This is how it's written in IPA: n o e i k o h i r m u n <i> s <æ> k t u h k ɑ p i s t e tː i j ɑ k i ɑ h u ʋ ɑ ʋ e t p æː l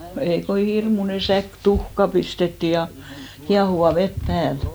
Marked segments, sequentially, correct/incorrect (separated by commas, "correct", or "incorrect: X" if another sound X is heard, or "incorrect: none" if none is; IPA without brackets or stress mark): incorrect: e, correct